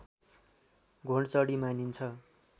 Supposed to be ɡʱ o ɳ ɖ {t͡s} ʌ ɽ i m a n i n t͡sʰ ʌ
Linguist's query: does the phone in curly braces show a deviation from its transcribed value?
no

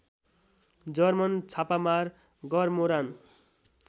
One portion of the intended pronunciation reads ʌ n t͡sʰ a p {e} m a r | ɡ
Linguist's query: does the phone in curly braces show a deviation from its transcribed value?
yes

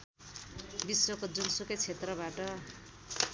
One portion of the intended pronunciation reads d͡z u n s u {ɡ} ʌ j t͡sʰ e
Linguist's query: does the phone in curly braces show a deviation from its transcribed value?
yes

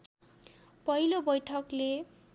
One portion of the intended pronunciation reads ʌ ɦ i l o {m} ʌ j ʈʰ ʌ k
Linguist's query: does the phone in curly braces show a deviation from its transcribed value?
yes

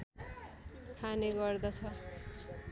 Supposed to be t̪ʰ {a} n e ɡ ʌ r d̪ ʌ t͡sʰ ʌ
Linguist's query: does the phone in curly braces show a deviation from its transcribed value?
no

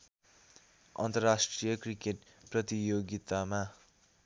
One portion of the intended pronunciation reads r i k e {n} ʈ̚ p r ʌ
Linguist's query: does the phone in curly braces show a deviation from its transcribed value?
yes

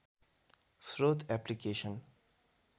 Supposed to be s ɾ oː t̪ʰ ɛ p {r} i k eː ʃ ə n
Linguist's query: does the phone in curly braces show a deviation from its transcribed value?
yes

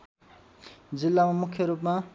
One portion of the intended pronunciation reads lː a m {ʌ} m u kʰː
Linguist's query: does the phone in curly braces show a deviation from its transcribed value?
yes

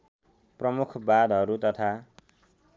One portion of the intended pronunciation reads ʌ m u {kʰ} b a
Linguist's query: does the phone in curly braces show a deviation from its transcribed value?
no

